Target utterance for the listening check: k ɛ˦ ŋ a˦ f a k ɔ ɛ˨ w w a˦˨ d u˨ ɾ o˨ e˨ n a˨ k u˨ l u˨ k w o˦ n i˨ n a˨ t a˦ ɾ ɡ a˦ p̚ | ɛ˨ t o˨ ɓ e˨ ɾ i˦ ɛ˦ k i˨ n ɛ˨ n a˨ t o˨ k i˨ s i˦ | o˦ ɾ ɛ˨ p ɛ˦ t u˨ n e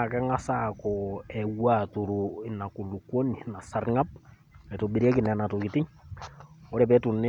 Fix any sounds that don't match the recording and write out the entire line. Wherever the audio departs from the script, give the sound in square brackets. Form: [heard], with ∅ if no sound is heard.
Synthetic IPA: k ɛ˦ ŋ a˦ [s] a k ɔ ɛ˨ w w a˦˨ [t] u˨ ɾ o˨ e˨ n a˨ k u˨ l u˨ k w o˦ n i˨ n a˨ [s] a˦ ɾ [ŋ] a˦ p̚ | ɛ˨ t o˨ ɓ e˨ ɾ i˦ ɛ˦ k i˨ n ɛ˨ n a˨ t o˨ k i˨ [t] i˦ | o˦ ɾ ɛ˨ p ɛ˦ t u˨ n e

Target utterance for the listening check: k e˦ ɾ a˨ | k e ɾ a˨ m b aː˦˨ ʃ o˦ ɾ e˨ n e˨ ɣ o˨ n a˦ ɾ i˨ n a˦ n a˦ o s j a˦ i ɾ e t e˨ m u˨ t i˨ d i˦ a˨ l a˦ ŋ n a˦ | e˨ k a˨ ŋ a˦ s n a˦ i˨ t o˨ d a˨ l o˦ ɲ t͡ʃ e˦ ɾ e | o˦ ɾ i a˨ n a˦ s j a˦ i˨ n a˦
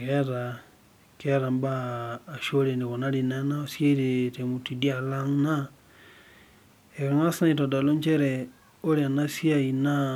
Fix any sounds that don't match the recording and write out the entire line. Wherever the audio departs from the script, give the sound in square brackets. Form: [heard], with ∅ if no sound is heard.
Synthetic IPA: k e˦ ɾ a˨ | k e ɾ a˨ m b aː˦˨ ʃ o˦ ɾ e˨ n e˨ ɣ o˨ n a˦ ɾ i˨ n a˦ n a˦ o s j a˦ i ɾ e t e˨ m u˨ t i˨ d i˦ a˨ l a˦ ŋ n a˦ | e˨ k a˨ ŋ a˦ s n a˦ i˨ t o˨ d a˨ l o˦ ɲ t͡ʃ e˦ ɾ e | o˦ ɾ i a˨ n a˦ s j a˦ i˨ n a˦

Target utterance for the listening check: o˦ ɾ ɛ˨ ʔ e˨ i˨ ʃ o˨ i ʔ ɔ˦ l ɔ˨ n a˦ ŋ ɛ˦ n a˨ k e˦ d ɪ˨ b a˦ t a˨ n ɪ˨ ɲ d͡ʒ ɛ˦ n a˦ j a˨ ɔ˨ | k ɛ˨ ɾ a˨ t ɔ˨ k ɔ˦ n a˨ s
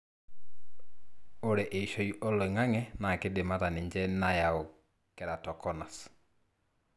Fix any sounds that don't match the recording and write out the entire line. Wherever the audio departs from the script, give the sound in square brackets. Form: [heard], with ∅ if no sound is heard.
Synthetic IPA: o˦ ɾ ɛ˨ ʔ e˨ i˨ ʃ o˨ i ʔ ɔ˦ l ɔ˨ [ŋ] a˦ ŋ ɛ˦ n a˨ k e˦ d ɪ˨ [m] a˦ t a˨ n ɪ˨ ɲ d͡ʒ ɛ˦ n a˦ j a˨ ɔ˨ | k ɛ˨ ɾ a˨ t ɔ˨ k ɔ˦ n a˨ s

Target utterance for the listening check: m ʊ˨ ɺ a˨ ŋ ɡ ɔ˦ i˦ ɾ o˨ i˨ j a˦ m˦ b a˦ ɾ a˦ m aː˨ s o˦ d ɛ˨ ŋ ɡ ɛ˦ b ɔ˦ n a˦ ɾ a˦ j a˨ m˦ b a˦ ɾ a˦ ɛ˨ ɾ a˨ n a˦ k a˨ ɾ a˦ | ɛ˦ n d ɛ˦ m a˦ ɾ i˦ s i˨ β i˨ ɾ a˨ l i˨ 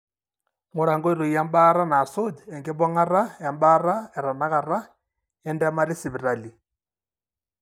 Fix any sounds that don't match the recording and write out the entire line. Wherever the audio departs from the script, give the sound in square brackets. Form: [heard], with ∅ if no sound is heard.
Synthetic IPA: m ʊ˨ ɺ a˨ ŋ ɡ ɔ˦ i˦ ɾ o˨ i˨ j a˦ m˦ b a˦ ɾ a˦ [n] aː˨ s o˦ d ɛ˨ ŋ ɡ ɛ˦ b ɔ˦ [ŋ] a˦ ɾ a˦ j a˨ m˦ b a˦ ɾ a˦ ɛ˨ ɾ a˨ n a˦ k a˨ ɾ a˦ | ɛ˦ n d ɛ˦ m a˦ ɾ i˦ s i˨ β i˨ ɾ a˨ l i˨

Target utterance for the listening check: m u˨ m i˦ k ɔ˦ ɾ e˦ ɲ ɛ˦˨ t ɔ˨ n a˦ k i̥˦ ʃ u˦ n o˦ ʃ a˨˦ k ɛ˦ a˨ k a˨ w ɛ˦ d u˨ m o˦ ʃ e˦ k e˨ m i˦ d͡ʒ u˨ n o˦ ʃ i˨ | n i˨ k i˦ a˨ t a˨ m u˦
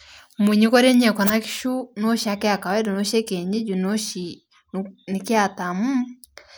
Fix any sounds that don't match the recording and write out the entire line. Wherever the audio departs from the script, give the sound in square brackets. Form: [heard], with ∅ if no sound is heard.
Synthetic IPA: m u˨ [ɲ] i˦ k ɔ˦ ɾ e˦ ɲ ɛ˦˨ [k] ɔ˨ n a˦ k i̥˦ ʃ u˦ n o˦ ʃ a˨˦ k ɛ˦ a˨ k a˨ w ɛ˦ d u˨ [n] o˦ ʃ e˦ k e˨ [ɲ] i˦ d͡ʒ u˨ n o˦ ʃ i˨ | n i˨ k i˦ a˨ t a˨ m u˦

